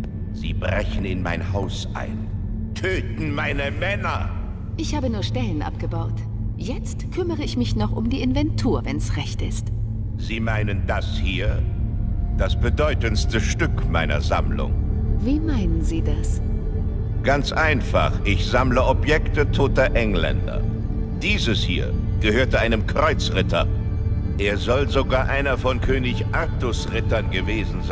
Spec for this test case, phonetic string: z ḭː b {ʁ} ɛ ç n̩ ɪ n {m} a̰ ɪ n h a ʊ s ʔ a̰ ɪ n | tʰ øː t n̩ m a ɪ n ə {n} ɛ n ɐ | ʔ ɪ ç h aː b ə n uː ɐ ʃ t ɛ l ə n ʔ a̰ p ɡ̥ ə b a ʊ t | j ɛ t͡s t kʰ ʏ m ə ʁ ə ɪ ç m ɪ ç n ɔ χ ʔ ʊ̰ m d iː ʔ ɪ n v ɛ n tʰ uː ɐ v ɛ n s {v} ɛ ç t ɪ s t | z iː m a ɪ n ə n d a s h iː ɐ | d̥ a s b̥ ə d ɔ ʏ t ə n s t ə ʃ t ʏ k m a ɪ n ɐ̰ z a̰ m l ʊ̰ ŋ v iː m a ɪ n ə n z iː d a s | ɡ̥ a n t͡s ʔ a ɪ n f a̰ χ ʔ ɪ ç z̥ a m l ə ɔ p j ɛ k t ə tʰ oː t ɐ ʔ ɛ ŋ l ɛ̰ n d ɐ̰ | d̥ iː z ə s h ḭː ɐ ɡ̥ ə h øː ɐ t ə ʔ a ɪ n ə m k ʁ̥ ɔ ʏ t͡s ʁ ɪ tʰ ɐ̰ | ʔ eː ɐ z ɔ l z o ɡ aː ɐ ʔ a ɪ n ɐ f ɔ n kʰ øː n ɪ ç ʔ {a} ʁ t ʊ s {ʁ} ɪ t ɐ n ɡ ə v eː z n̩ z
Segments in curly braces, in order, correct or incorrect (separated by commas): correct, correct, incorrect, incorrect, correct, correct